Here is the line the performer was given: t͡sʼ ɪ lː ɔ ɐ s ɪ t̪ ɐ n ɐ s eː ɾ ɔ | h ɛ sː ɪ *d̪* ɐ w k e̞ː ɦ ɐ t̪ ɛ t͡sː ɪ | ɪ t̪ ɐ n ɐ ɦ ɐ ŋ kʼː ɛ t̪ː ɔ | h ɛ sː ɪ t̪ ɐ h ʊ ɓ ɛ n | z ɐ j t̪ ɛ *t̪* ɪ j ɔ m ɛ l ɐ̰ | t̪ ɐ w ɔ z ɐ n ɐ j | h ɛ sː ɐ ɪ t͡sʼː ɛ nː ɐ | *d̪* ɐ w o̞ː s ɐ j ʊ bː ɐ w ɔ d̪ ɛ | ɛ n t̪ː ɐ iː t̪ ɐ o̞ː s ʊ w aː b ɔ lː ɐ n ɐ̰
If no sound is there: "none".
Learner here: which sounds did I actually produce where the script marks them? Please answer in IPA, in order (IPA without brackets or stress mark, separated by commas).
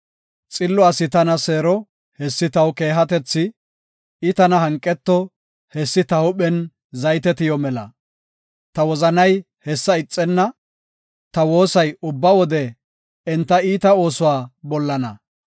t̪, t̪, t̪